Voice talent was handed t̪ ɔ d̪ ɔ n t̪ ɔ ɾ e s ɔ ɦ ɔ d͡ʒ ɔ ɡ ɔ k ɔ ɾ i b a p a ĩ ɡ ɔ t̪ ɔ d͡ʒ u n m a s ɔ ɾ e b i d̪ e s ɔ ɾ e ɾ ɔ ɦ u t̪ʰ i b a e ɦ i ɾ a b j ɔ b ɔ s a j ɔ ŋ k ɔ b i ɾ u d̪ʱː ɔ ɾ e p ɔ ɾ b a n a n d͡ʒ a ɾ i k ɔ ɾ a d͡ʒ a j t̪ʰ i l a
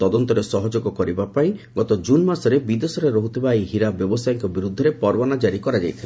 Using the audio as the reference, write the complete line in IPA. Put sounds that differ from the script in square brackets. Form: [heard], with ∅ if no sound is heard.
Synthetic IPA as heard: t̪ ɔ d̪ ɔ n t̪ ɔ ɾ e s ɔ ɦ ɔ d͡ʒ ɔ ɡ ɔ k ɔ ɾ i b a p a ĩ ɡ ɔ t̪ ɔ d͡ʒ u n m a s ɔ ɾ e b i d̪ e s ɔ ɾ e ɾ ɔ ɦ u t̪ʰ i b a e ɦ i ɾ a b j ɔ b ɔ s a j ɔ ŋ k ɔ b i ɾ u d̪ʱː ɔ ɾ e p ɔ ɾ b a n a [∅] d͡ʒ a ɾ i k ɔ ɾ a d͡ʒ a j t̪ʰ i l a